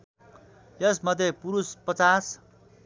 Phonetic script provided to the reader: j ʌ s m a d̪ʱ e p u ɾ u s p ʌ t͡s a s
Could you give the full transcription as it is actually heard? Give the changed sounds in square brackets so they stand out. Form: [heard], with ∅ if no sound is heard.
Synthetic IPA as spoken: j ʌ s m [ʌ] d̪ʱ e p u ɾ u s p ʌ t͡s a s